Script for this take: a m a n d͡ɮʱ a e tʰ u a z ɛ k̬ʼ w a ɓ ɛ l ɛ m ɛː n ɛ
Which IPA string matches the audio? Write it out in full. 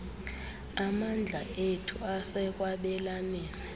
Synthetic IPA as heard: a m a n d͡ɮʱ a e tʰ u a s ɛ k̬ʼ w a ɓ ɛ l a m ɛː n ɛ